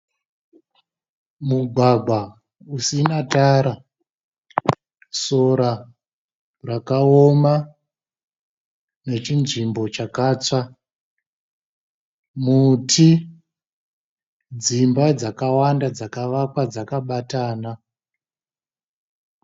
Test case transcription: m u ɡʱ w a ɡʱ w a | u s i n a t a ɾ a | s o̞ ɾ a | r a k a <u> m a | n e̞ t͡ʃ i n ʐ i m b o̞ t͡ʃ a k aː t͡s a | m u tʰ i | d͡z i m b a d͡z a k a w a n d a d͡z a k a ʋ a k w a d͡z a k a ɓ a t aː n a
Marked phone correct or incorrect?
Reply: incorrect